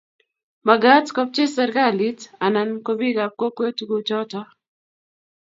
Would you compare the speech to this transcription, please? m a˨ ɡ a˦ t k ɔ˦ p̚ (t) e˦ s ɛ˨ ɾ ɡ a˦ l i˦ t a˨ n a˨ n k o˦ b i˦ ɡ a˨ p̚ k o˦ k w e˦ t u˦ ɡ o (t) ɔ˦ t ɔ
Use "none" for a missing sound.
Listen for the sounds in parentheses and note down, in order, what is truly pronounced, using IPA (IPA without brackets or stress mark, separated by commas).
t͡ʃ, t͡ʃ